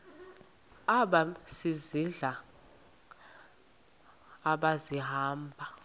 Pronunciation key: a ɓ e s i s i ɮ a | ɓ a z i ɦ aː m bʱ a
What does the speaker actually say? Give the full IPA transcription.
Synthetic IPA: a ɓ a s i z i ɮ a | ɓ a z i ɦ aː m bʱ a

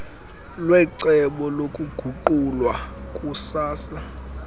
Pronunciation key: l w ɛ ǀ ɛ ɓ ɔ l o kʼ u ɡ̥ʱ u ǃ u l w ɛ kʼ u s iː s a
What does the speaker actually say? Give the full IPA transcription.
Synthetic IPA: l w ɛ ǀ ɛ ɓ ɔ l o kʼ u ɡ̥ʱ u ǃ u l w a kʼ u s aː s a

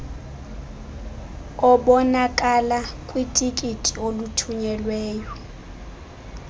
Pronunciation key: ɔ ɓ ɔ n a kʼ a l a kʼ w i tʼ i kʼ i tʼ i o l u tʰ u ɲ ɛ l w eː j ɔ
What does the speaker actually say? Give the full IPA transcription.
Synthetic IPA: ɔ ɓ ɔ n a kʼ a l a kʼ w i tʼ i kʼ i tʼ i o l u tʰ u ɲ ɛ l w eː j ɔ

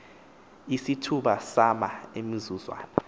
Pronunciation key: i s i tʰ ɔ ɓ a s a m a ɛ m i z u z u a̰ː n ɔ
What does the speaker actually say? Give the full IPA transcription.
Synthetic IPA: i s i tʰ u ɓ a s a m a e m i z u z w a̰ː n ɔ

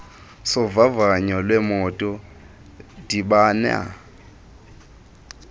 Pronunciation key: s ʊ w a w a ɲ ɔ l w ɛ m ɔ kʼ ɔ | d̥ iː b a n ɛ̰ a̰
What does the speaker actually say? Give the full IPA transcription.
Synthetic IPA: s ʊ v a v a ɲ ɔ l w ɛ m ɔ tʼ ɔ | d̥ i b a n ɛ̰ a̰

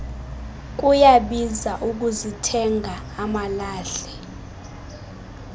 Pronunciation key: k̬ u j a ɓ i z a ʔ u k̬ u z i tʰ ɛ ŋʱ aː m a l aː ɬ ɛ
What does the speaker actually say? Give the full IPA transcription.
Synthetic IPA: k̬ u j a ɓ i z a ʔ u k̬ u z i tʰ ɛ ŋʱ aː m a l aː ɬ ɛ

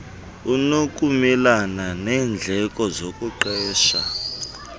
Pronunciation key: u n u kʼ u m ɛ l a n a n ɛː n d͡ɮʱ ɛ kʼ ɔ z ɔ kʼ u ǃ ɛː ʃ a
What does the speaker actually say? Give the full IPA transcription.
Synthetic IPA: u n o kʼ u m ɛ l a n a n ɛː n d͡ɮʱ ɛ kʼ ɔ z o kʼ u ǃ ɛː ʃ a

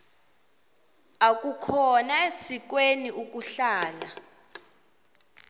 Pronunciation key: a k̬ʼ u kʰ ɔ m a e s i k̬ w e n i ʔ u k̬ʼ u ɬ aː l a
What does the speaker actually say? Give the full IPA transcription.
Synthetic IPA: a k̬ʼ u kʰ ɔ n a e s i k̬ w e n i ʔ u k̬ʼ u ɬ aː l a

